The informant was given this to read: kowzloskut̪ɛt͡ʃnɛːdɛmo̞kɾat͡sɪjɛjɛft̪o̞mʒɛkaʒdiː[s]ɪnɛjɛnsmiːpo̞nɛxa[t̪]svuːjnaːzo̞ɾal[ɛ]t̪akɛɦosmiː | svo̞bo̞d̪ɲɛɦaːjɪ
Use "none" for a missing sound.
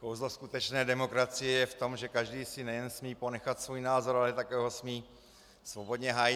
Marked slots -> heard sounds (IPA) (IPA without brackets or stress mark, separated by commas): s, t̪, ɛ